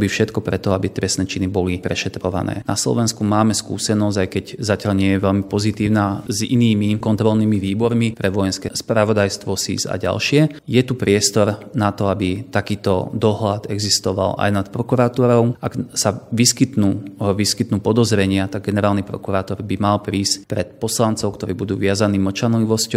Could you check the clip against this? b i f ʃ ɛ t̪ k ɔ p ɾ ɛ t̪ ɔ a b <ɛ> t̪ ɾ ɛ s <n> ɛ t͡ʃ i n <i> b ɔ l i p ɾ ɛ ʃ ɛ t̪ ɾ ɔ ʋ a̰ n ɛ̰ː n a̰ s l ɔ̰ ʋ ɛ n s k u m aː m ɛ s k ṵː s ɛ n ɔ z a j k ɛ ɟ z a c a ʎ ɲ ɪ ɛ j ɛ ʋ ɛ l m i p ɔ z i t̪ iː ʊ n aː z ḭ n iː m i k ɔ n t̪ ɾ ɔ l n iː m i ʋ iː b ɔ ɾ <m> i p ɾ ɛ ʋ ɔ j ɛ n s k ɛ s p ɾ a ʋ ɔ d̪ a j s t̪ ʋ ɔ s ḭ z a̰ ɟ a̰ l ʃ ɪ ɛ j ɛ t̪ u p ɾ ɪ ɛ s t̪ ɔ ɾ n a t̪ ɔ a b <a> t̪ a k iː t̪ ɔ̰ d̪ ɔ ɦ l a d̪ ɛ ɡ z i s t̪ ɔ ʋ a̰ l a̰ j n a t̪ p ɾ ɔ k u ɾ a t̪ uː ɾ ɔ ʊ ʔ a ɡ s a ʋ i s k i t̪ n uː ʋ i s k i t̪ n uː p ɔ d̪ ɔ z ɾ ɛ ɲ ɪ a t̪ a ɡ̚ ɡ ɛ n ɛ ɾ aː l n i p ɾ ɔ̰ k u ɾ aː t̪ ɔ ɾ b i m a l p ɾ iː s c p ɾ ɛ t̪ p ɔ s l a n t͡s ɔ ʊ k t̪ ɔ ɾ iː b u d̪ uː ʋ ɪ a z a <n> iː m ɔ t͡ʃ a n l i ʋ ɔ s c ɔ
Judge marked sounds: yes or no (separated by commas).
no, yes, yes, yes, no, yes